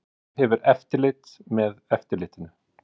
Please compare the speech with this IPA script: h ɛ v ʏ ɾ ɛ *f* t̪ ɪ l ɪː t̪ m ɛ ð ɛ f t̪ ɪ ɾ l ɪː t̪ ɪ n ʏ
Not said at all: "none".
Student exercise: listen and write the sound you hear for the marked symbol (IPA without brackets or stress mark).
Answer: f